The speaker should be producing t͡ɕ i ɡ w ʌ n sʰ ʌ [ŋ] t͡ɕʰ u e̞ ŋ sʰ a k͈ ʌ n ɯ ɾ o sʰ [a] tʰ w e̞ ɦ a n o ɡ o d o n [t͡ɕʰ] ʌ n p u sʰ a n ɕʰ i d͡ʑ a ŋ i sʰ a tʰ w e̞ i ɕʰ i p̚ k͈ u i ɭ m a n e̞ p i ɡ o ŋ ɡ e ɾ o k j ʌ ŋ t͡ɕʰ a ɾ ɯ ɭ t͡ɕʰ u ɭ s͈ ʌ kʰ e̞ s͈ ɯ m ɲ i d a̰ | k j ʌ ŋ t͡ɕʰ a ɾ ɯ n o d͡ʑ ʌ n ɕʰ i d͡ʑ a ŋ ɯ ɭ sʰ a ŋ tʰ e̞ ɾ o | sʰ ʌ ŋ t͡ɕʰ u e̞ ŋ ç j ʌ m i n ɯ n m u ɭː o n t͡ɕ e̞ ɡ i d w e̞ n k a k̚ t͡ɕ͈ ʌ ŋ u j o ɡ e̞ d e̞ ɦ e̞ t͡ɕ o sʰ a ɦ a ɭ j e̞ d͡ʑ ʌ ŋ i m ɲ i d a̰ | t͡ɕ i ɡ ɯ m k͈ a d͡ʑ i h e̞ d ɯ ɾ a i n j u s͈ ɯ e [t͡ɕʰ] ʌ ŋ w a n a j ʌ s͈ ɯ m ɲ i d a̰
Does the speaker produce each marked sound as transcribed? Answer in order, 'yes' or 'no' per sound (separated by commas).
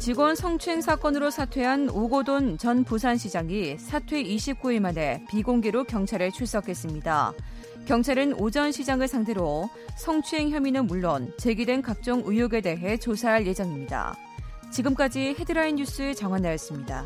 yes, yes, no, no